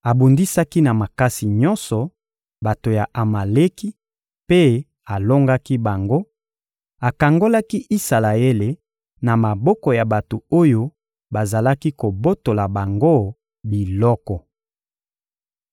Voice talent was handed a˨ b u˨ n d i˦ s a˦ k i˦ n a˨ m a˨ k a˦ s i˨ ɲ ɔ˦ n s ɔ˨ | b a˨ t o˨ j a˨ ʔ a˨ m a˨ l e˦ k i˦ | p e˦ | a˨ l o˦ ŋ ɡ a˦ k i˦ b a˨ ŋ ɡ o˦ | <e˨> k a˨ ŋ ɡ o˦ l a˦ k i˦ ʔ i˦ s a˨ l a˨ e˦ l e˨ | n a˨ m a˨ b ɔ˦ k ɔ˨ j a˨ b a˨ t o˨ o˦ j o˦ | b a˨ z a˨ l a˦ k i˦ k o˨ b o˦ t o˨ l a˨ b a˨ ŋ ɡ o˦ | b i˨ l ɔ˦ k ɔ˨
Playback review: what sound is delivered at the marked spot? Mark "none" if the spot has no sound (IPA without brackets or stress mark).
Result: a˨